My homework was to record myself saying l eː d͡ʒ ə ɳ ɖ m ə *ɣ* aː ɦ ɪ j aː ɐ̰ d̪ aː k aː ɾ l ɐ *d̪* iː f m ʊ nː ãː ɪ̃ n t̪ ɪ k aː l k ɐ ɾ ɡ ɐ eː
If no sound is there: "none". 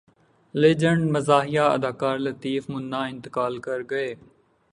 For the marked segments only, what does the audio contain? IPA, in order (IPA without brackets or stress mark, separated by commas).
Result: z, t̪